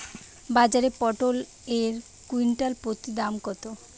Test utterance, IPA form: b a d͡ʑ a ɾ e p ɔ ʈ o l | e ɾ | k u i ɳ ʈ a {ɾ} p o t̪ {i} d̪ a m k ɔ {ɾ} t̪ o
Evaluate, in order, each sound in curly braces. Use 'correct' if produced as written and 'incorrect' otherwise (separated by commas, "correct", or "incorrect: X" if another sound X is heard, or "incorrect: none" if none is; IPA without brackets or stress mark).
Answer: incorrect: l, correct, incorrect: none